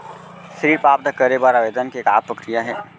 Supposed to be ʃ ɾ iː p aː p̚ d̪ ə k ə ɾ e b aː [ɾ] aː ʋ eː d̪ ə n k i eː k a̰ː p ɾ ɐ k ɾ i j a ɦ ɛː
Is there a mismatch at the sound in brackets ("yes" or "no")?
no